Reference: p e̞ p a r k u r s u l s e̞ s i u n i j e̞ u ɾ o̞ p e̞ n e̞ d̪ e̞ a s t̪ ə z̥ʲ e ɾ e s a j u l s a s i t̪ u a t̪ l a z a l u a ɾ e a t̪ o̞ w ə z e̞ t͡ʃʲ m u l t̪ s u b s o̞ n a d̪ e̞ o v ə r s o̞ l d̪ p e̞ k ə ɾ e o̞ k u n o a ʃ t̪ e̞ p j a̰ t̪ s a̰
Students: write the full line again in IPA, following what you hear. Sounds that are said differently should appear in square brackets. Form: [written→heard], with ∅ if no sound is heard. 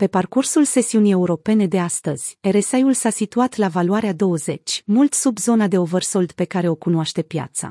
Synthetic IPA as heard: p e̞ p a r k u r s u l s e̞ s i u n i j e̞ u ɾ o̞ p e̞ n e̞ d̪ e̞ a s t̪ ə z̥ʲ e ɾ e s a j u l s a s i t̪ u a t̪ l a [z→v] a l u a ɾ e a [t̪→d̪] o̞ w ə z e̞ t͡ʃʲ m u l t̪ s u b [s→z] o̞ n a d̪ e̞ o v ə r s o̞ l d̪ p e̞ k [ə→a] ɾ e o̞ k u n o a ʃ t̪ e̞ p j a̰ t̪ s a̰